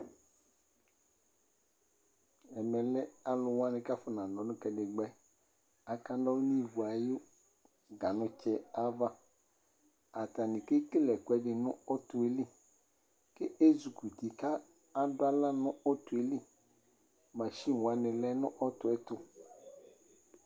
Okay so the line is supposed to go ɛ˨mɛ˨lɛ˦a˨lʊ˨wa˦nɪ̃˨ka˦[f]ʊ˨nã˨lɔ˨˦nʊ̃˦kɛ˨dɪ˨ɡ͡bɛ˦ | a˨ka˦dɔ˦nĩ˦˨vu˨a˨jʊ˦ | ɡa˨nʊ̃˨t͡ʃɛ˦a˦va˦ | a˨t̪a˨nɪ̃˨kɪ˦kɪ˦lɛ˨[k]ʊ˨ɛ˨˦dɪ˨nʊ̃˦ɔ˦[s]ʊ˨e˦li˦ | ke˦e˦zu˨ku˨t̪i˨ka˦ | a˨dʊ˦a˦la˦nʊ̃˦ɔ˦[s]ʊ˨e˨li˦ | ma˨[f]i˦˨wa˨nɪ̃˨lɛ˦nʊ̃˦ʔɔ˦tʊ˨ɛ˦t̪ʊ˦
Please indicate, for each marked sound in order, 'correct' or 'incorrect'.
correct, correct, incorrect, incorrect, incorrect

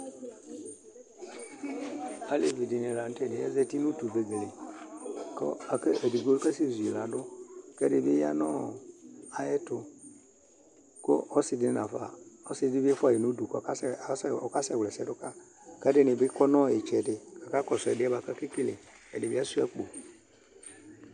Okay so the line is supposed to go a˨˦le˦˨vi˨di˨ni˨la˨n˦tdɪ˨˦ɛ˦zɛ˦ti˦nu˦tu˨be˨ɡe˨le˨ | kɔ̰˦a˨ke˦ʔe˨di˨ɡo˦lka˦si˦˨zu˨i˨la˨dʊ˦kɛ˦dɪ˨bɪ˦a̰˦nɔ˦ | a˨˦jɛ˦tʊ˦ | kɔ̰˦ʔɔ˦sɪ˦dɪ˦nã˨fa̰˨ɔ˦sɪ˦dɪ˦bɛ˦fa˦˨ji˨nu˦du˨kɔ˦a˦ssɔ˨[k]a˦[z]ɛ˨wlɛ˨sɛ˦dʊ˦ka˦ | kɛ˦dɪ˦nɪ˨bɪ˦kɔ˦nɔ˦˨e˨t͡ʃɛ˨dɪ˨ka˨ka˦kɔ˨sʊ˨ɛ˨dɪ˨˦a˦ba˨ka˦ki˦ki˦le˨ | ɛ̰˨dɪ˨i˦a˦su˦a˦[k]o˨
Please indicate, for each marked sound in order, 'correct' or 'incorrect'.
correct, incorrect, incorrect

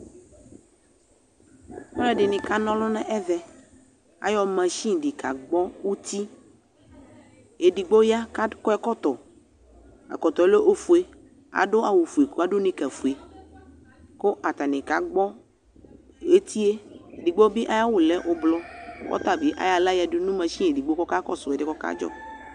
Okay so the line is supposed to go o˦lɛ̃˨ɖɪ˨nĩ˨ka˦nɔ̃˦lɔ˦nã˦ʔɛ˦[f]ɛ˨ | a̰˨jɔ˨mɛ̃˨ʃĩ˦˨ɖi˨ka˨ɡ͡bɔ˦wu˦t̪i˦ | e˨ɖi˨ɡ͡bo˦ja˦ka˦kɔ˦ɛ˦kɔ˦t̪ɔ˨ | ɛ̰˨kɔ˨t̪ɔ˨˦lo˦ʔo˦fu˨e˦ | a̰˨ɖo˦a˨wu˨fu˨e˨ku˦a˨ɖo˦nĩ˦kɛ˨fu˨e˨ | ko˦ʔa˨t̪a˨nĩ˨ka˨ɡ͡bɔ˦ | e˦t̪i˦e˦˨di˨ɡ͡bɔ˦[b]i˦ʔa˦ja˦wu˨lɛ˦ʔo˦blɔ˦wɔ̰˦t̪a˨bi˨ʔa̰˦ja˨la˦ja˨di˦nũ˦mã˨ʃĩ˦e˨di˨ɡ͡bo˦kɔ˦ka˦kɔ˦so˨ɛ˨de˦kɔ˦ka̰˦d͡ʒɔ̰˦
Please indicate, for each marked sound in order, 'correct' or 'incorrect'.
incorrect, correct

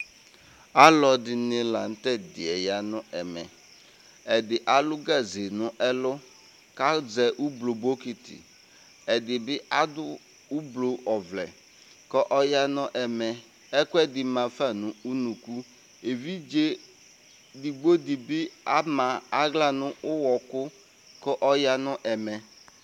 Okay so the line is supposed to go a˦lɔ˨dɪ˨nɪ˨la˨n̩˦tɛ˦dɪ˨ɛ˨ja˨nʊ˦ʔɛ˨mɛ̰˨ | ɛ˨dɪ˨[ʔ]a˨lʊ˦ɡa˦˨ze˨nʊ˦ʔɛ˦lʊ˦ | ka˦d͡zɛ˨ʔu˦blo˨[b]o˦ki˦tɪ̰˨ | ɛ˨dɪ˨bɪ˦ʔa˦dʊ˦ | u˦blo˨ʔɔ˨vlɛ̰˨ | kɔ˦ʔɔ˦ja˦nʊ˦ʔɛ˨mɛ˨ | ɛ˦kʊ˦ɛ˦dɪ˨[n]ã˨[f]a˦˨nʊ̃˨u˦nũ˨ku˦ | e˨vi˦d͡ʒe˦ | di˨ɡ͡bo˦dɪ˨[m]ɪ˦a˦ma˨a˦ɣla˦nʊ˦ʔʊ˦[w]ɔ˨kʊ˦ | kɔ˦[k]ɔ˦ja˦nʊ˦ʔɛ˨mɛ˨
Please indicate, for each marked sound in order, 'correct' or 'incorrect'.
correct, correct, incorrect, correct, incorrect, correct, incorrect

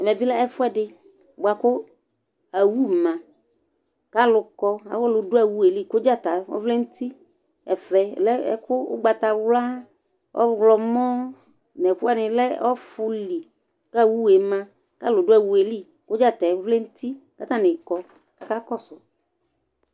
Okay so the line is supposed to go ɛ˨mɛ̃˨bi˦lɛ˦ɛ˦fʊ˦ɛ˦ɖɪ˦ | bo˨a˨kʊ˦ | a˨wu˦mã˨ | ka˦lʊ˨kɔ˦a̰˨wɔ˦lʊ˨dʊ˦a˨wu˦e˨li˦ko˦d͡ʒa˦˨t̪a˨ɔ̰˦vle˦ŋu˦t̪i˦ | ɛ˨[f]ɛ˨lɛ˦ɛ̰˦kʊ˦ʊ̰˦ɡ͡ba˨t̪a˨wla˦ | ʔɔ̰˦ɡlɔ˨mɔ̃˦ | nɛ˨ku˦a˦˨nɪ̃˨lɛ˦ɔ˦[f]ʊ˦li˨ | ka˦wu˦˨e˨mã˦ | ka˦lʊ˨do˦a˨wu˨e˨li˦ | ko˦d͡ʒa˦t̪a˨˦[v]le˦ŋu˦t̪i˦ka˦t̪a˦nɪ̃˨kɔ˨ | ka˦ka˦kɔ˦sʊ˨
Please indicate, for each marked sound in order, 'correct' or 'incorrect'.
correct, correct, correct

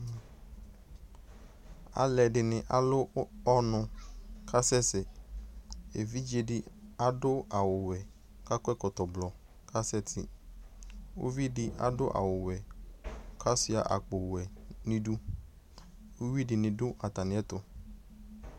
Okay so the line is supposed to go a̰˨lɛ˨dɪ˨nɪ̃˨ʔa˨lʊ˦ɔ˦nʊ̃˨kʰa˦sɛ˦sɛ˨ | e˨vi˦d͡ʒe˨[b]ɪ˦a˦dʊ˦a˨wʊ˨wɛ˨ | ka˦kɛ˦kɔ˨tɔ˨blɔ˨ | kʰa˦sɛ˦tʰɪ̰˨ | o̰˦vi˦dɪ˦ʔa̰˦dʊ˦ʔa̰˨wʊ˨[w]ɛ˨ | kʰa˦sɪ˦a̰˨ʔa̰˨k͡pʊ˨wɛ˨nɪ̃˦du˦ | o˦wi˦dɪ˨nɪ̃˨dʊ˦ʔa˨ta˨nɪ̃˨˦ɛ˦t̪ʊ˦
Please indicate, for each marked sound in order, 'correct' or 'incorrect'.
incorrect, correct

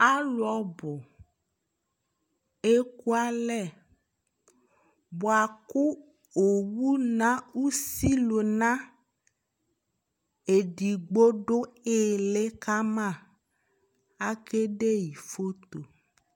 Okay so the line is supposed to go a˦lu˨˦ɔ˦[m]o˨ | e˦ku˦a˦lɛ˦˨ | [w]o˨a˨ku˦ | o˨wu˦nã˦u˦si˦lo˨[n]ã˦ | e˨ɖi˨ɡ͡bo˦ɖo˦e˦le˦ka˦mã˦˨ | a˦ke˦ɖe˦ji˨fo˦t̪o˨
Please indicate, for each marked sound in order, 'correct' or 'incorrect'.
incorrect, incorrect, correct

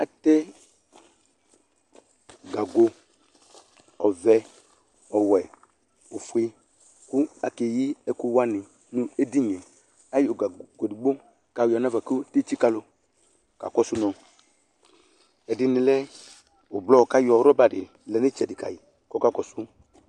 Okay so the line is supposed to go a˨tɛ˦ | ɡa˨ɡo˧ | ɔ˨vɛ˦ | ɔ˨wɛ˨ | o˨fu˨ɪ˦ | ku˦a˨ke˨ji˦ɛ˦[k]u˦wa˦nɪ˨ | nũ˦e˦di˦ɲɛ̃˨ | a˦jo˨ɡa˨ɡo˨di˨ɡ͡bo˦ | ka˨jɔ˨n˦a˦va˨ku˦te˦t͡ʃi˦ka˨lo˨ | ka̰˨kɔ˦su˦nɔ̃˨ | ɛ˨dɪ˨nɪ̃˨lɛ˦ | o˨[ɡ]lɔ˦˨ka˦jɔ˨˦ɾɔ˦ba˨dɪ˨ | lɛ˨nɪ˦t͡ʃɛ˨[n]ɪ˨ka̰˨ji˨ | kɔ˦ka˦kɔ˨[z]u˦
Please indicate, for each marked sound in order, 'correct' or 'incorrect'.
correct, incorrect, incorrect, incorrect

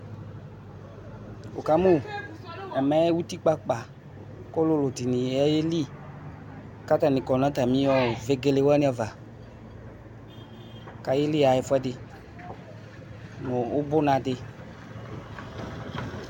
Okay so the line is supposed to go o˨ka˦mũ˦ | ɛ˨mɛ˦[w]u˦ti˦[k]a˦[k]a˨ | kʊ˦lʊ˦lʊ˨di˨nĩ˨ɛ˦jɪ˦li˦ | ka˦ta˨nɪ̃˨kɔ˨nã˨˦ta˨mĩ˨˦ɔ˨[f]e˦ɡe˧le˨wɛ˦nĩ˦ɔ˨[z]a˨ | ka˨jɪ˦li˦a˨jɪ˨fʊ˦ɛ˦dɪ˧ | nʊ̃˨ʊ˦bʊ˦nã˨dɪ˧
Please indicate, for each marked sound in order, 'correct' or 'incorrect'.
correct, incorrect, incorrect, incorrect, incorrect

